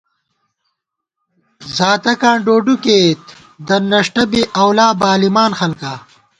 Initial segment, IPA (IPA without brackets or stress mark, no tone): z